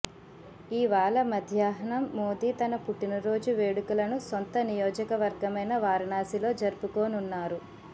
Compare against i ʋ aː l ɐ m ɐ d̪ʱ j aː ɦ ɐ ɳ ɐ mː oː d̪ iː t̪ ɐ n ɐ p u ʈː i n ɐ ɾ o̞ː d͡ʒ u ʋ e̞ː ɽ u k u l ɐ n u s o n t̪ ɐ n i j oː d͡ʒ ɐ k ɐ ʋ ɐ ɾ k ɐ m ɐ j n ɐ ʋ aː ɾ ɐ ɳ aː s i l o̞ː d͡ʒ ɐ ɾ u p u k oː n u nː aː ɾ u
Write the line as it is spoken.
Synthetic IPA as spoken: iː ʋ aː l ɐ m ɐ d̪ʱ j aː ɦ ɐ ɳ ɐ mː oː d̪ iː t̪ ɐ n ɐ p u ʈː i n ɐ ɾ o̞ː d͡ʒ u ʋ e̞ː ɽ u k u l ɐ n u s o n t̪ ɐ n i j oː d͡ʒ ɐ k ɐ ʋ ɐ ɾ ɡ ɐ m ɐ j n ɐ ʋ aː ɾ ɐ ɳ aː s i l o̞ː d͡ʒ ɐ ɾ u p u k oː n u nː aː ɾ u

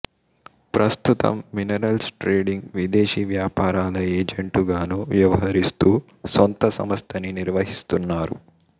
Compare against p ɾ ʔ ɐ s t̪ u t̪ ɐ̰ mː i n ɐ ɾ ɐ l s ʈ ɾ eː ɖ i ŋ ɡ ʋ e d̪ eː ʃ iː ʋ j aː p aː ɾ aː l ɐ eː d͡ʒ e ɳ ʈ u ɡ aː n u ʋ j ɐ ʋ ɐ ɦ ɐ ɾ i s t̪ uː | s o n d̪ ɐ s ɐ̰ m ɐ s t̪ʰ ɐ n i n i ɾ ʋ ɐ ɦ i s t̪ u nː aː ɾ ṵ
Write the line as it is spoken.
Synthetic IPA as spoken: p ɾ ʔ ɐ s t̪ u t̪ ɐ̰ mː i n ɐ ɾ ɐ l s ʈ ɾ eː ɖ i ŋ ɡ ʋ i d̪ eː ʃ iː ʋ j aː p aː ɾ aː l ɐ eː d͡ʒ e ɳ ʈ u ɡ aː n u ʋ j ɐ ʋ ɐ ɦ ɐ ɾ i s t̪ uː | s o n t̪ ɐ s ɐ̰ m ɐ s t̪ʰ ɐ n i n i ɾ ʋ ɐ ɦ i s t̪ u nː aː ɾ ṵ

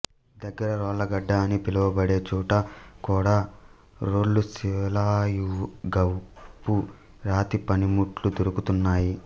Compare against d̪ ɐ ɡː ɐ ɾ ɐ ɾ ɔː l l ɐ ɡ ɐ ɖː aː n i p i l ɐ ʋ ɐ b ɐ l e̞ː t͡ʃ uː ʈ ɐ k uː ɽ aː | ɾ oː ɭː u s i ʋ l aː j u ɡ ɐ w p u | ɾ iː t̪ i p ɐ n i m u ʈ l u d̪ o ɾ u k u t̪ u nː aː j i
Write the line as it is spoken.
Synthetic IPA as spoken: d̪ ɐ ɡː ɐ ɾ ɐ ɾ ɔː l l ɐ ɡ ɐ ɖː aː n i p i l ɐ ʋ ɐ b ɐ ɽ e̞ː t͡ʃ uː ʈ ɐ k uː ɽ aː | ɾ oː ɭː u s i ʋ l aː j u ɡ ɐ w p u | ɾ aː t̪ i p ɐ n i m u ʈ l u d̪ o ɾ u k u t̪ u nː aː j i

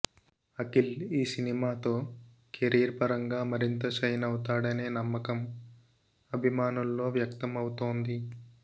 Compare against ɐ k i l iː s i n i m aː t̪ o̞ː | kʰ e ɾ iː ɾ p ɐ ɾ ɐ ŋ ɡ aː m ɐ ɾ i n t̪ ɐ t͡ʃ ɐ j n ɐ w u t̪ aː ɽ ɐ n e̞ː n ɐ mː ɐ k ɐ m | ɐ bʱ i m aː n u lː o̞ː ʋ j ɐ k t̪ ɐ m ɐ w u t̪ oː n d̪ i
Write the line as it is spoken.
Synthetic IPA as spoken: ɐ k i l iː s i n i m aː t̪ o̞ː | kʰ e ɾ iː ɾ p ɐ ɾ ɐ ŋ ɡ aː m ɐ ɾ i n t̪ ɐ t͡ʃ ɐ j n ɐ w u t̪ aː ɽ ɐ n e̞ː n ɐ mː ɐ k ɐ m | ɐ bʱ i m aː n u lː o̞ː ʋ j ɐ k t̪ ɐ m ɐ w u t̪ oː n d̪ i

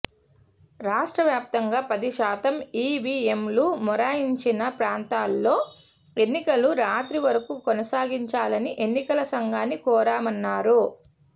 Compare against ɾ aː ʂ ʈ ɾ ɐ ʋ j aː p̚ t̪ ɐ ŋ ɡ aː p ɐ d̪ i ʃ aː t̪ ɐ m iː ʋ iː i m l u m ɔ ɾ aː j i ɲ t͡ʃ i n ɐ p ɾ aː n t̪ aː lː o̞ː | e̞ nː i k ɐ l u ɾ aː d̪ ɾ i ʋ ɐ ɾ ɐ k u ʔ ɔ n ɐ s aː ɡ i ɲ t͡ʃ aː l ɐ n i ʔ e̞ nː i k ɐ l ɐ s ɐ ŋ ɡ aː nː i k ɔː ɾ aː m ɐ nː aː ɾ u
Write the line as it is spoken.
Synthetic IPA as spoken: ɾ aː ʂ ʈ ɾ ɐ ʋ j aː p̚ t̪ ɐ ŋ ɡ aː p ɐ d̪ i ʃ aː t̪ ɐ m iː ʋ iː e m l u m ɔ ɾ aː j i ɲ t͡ʃ i n ɐ p ɾ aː n t̪ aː lː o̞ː | e̞ nː i k ɐ l u ɾ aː t̪ ɾ i ʋ ɐ ɾ ɐ k u k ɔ n ɐ s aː ɡ i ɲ t͡ʃ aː l ɐ n i ʔ e̞ nː i k ɐ l ɐ s ɐ ŋ ɡ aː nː i k ɔː ɾ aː m ɐ nː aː ɾ u

